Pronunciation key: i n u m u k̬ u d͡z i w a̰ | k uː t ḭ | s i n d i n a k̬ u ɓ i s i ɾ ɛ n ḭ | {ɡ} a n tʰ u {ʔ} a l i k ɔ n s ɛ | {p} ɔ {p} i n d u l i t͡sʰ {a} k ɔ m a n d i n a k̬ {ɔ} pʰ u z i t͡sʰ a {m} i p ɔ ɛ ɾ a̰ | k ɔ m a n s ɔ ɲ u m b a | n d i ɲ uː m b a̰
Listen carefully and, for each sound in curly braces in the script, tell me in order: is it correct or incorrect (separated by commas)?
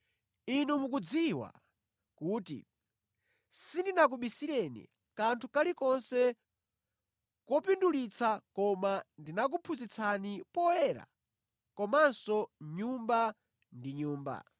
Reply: incorrect, incorrect, incorrect, correct, correct, incorrect, incorrect